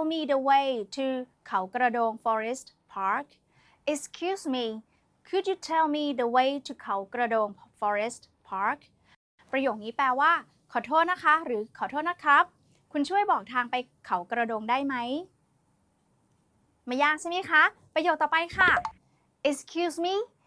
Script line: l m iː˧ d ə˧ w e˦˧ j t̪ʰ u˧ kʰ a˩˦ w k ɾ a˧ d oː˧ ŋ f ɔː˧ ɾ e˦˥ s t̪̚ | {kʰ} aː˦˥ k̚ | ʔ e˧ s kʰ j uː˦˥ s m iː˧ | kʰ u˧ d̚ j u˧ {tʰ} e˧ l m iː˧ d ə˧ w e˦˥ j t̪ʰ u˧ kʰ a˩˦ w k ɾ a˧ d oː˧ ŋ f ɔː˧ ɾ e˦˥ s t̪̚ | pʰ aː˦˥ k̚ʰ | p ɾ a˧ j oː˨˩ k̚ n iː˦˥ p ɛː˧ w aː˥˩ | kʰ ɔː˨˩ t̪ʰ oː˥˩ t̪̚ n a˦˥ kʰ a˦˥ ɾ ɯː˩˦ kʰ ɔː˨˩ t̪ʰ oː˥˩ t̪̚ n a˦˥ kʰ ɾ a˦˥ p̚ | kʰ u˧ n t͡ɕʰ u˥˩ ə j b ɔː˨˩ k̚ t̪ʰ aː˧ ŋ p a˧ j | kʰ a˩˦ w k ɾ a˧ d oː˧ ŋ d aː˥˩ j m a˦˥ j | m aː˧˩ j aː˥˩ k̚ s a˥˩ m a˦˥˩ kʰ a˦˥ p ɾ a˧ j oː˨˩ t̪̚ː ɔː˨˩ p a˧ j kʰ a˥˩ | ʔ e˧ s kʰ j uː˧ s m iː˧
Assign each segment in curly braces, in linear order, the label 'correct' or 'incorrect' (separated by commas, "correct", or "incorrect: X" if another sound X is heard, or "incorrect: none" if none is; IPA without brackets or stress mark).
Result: incorrect: pʰ, correct